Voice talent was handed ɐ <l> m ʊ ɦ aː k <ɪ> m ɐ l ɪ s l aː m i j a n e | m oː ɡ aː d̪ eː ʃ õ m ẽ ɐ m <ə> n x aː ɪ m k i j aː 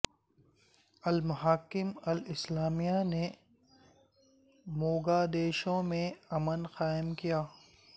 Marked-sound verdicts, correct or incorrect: correct, correct, correct

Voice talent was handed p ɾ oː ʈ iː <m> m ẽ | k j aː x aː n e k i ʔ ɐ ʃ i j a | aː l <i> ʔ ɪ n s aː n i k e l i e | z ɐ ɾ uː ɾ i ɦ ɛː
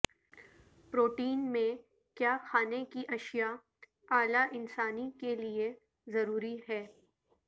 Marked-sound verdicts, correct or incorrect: incorrect: n, incorrect: a

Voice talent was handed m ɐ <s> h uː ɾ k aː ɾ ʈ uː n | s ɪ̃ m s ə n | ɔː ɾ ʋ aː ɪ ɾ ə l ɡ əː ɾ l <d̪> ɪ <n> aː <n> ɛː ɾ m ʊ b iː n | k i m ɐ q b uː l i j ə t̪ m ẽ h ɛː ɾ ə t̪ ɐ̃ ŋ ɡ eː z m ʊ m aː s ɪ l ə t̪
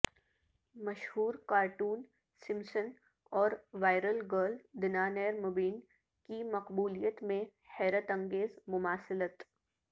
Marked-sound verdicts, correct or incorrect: incorrect: ʃ, correct, correct, correct

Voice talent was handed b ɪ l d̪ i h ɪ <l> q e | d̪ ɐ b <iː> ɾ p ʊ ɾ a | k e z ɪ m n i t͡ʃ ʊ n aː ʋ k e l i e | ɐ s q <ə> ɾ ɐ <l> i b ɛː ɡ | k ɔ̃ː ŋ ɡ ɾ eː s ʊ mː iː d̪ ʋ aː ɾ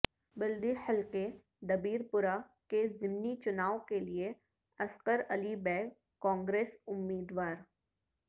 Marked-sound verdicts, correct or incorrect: correct, correct, correct, correct

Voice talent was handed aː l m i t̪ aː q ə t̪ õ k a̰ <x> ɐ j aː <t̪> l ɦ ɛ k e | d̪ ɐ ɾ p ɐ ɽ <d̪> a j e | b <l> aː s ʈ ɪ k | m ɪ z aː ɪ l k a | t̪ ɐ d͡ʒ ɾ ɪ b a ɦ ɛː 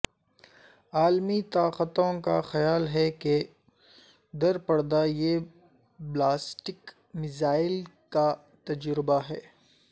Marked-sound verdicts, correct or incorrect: correct, incorrect: none, correct, correct

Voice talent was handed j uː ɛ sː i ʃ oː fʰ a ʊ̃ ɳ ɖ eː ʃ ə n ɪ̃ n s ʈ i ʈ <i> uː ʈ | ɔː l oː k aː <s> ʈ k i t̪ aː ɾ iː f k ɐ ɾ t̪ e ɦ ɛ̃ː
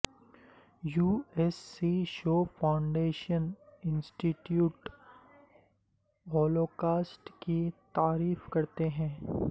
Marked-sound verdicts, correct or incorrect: incorrect: j, correct

